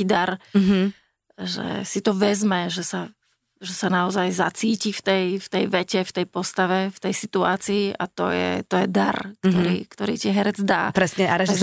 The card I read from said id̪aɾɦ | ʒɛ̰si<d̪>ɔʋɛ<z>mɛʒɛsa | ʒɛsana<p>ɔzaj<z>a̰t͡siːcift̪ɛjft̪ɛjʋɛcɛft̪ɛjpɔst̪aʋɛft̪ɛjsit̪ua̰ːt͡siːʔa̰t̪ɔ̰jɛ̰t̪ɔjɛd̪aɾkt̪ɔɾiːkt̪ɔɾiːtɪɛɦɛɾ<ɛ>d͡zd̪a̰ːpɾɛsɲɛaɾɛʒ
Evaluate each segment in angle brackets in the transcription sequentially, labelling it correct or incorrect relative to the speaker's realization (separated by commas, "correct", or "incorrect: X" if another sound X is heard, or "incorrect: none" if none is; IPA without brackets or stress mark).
incorrect: t̪, correct, incorrect: none, correct, correct